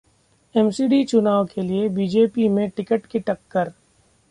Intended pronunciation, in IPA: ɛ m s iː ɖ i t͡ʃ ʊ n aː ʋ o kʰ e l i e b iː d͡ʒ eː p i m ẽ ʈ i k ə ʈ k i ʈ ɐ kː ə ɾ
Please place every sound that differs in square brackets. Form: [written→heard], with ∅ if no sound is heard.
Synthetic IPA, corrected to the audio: ɛ m s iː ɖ i t͡ʃ ʊ n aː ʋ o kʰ e l i e b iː d͡ʒ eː p i m ẽ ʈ [i→ɪ] k ə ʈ k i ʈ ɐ kː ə ɾ